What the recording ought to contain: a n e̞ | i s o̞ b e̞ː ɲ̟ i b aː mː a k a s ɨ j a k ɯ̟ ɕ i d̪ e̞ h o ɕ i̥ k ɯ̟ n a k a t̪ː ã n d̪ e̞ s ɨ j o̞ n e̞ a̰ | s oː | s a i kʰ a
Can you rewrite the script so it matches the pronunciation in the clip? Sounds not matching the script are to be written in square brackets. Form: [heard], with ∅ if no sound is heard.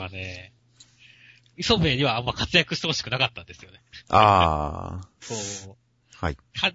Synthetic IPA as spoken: a n e̞ | i s o̞ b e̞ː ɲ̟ i [β] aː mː a k a [t͡s] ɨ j a k ɯ̟ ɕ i [t̪] e̞ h o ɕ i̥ k ɯ̟ n a k a t̪ː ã n d̪ e̞ s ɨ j o̞ n e̞ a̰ | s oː | [h] a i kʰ a